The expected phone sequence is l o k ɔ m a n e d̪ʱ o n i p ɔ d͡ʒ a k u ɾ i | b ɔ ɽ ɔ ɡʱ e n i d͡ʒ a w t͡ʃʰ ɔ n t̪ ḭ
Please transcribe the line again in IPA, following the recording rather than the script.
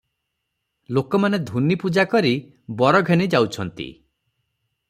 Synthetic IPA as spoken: l o k ɔ m a n e d̪ʱ u n i p u d͡ʒ a k ɔ ɾ i | b ɔ ɾ ɔ ɡʱ e n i d͡ʒ a w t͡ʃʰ ɔ n t̪ ḭ